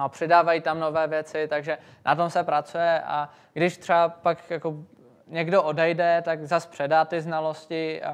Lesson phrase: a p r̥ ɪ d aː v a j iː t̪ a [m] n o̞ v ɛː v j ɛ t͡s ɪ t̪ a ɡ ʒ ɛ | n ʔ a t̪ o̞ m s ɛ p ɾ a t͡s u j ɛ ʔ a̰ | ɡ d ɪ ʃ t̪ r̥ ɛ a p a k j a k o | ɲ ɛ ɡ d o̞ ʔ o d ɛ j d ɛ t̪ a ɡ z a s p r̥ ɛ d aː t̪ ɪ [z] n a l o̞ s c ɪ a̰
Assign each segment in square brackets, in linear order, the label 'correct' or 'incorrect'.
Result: correct, correct

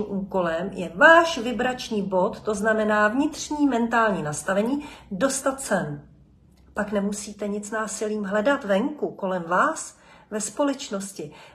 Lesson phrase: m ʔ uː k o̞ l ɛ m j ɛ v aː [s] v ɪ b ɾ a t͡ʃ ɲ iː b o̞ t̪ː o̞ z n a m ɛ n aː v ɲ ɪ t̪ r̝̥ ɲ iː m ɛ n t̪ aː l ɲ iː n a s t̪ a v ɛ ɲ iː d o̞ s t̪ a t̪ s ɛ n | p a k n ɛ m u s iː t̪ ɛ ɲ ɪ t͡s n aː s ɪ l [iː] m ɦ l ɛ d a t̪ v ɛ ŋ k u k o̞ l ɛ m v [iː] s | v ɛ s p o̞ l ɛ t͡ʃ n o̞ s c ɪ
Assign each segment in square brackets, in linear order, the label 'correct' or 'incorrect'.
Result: incorrect: ʃ, correct, incorrect: aː

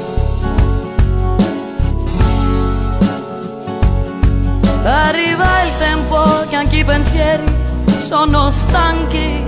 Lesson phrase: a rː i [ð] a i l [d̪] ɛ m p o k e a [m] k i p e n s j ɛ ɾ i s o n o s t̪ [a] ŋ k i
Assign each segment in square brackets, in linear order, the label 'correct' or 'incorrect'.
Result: incorrect: v, incorrect: t̪, incorrect: ŋ, correct

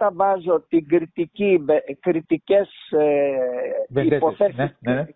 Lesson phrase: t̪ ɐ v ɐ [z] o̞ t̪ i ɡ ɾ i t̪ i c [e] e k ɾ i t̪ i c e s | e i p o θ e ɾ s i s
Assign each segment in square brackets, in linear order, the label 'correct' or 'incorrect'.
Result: correct, incorrect: i

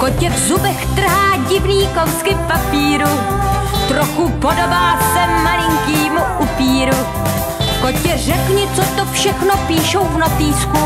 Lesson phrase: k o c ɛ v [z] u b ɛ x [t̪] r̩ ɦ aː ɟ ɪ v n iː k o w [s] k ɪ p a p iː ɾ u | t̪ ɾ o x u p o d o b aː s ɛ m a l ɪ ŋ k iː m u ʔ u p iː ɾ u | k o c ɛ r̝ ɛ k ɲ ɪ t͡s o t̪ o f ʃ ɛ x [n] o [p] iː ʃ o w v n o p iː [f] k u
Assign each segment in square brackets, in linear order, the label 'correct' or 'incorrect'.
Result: correct, correct, correct, correct, correct, incorrect: s

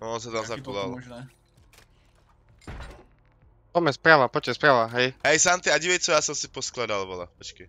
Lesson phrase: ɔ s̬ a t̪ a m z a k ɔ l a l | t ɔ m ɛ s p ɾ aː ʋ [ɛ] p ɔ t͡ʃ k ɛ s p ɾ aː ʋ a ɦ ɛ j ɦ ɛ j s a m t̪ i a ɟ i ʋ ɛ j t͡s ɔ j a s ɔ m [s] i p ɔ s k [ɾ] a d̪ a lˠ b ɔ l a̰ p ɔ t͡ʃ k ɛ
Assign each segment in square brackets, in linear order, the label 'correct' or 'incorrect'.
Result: incorrect: a, correct, incorrect: l

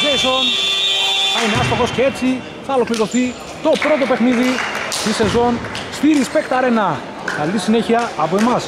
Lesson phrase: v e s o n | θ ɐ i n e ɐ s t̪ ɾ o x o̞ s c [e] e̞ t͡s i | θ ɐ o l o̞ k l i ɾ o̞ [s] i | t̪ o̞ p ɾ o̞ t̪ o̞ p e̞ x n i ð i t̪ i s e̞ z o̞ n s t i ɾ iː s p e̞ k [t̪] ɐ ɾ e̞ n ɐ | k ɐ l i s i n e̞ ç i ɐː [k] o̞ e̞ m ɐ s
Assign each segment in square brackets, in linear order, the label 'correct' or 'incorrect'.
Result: correct, incorrect: θ, correct, incorrect: p

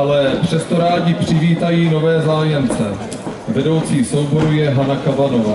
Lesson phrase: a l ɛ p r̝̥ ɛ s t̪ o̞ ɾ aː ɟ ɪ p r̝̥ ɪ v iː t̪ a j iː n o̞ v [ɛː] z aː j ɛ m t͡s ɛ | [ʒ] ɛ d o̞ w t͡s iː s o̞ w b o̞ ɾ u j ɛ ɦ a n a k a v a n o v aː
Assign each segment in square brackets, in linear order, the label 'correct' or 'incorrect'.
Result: correct, incorrect: v

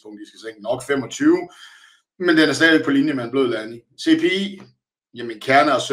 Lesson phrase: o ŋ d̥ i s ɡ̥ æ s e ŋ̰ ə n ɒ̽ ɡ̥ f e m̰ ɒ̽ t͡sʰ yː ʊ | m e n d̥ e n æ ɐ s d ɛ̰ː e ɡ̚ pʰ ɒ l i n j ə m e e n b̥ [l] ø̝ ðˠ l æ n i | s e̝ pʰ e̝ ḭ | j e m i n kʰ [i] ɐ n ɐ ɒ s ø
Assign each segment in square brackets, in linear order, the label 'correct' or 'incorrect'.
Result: correct, incorrect: æ

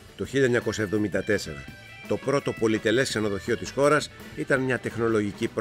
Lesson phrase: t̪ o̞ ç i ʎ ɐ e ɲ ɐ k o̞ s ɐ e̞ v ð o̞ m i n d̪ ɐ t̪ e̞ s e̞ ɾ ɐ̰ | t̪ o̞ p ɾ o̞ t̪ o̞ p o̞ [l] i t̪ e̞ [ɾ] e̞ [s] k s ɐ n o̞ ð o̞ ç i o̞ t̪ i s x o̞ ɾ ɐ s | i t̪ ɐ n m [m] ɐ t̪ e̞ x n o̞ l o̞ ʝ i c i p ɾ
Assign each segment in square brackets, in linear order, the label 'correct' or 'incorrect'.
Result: correct, incorrect: l, correct, incorrect: ɲ

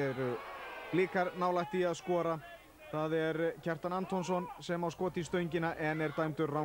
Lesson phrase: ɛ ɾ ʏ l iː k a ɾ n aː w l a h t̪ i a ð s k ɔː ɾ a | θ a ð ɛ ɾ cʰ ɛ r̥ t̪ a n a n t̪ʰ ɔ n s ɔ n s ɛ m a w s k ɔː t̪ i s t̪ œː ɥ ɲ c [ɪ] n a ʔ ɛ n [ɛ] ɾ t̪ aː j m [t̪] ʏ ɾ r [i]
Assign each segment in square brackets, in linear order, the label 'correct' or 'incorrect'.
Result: correct, correct, correct, incorrect: a

